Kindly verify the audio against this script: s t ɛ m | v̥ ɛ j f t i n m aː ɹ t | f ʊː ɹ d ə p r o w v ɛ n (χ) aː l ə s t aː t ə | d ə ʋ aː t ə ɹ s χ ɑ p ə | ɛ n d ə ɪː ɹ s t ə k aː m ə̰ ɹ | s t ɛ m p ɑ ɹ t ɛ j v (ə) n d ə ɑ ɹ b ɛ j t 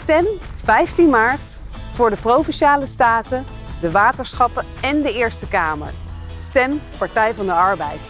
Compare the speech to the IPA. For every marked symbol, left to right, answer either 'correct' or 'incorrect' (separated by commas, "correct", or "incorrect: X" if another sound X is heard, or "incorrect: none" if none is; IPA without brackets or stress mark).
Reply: incorrect: ʃ, incorrect: ɑ